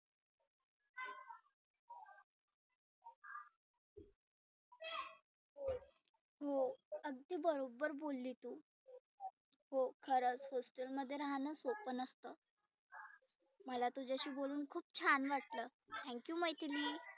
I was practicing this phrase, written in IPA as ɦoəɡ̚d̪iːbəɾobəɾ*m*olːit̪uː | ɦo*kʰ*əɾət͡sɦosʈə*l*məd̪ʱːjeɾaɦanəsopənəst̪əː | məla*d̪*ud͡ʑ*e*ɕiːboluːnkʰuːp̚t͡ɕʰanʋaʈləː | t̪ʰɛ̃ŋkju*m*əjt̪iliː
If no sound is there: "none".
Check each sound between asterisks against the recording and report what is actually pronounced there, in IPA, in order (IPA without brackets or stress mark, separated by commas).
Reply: b, kʰ, l, t̪, a, m